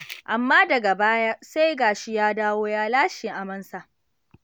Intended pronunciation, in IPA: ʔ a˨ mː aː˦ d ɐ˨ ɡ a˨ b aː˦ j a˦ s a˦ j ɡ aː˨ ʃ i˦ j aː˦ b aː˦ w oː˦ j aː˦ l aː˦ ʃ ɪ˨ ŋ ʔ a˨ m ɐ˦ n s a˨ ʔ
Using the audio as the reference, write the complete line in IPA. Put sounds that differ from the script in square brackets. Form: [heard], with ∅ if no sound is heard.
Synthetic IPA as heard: ʔ a˨ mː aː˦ d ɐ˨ ɡ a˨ b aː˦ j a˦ s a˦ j ɡ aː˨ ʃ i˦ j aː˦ [d] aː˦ w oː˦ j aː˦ l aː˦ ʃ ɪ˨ ŋ ʔ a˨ m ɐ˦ n s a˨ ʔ